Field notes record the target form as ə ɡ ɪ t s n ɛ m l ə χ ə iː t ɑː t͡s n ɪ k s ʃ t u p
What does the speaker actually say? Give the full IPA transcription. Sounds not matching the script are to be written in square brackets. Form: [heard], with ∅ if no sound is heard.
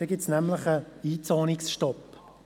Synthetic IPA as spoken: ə ɡ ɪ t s n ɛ m l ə χ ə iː [t͡s] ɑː [∅] n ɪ k s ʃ t [ɔ] p